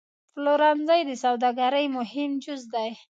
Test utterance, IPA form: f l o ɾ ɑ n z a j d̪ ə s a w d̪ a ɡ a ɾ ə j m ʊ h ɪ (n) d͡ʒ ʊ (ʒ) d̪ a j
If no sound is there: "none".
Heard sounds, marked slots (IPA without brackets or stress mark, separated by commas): m, z